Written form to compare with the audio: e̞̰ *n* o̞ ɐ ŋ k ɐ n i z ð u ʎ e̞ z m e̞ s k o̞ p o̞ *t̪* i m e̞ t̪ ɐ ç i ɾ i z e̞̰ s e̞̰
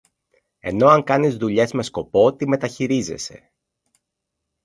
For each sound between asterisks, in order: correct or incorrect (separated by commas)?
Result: correct, correct